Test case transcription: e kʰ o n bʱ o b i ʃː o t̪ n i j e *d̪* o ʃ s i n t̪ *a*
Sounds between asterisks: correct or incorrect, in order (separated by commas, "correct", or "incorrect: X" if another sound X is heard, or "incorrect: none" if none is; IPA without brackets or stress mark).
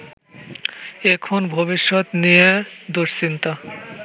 correct, correct